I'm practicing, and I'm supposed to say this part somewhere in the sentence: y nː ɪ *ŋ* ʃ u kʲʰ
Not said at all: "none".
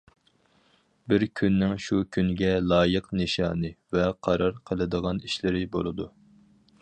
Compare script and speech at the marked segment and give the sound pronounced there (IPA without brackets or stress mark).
ŋ